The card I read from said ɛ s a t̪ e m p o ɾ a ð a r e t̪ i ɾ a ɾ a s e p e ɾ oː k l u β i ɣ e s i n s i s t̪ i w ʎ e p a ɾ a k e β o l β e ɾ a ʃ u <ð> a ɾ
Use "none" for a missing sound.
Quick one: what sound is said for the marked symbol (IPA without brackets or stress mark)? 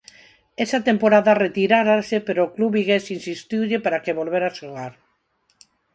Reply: ɣ